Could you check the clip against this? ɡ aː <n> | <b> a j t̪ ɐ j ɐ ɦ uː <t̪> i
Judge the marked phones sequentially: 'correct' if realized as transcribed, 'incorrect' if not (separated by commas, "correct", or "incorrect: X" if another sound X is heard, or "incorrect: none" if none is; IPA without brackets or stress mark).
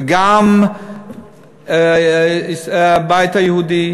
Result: incorrect: m, correct, incorrect: d̪